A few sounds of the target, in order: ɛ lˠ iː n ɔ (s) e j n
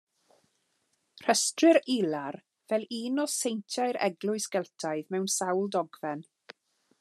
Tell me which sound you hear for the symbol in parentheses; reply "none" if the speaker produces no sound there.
s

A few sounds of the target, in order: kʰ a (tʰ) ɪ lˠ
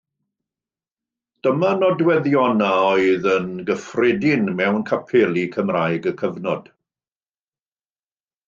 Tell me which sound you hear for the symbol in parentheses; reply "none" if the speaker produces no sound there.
pʰ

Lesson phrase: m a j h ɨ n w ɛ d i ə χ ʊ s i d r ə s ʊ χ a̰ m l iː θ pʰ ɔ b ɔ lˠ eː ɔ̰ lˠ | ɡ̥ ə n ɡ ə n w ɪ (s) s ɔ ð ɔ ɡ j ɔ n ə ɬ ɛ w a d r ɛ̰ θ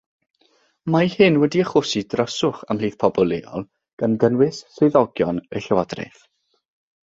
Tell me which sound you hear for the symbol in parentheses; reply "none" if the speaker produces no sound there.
s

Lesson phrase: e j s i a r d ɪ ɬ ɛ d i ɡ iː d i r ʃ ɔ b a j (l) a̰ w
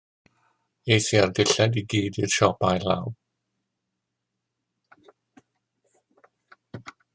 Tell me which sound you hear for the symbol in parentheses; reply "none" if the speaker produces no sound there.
l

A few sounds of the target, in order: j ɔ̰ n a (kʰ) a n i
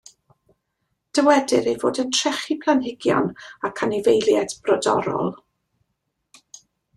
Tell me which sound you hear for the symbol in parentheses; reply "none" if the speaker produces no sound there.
kʰ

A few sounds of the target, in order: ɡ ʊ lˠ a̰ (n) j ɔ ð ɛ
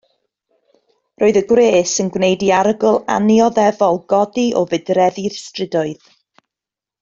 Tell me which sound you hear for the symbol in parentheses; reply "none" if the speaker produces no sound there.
n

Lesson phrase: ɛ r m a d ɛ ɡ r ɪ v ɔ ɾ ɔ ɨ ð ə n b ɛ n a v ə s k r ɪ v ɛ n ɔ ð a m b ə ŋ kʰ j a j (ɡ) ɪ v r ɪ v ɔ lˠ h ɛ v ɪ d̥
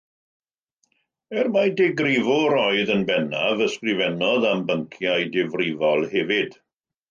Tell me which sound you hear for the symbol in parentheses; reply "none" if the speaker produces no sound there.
d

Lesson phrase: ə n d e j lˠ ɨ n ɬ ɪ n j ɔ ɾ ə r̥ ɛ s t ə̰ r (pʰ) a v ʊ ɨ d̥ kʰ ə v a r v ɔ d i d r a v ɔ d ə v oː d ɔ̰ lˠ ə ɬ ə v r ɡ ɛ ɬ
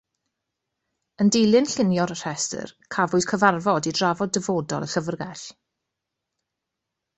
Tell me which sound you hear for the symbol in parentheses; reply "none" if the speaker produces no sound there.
kʰ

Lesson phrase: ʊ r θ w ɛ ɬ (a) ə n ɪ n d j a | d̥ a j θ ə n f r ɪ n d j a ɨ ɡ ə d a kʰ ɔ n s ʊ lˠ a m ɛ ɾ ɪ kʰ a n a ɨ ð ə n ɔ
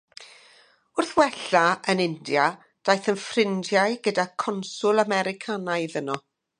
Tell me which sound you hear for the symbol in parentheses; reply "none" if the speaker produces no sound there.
a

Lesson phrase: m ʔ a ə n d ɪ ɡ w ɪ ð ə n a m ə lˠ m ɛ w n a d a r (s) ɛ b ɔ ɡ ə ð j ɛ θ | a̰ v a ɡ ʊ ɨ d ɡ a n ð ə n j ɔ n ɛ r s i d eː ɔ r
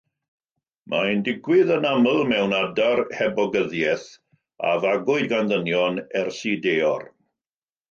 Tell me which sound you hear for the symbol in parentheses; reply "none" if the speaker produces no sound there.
h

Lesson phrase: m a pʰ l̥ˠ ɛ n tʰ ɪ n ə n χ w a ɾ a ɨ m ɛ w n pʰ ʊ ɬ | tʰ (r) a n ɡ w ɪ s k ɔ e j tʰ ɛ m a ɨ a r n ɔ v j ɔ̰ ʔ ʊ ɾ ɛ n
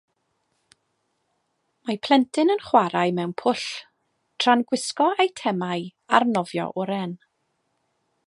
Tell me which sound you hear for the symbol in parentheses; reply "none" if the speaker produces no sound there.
r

